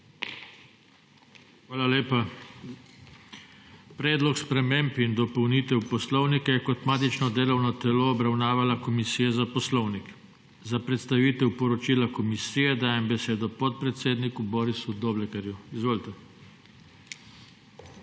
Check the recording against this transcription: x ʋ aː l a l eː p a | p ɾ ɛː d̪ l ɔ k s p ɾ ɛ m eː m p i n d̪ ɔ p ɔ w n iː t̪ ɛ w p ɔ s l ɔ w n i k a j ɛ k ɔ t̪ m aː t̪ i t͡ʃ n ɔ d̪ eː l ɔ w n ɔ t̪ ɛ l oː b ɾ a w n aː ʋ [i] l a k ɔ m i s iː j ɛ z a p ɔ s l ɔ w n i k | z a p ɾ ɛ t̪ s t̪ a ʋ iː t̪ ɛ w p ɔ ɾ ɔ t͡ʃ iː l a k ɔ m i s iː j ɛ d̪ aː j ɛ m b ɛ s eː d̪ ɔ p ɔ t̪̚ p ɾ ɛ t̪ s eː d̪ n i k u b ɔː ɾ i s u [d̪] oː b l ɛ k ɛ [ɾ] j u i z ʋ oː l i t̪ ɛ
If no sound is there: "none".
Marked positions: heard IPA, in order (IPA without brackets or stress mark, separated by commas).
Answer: a, d̪, ɾ